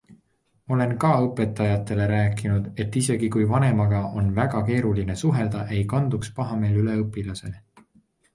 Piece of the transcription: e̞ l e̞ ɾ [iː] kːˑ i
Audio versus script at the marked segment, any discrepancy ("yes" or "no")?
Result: yes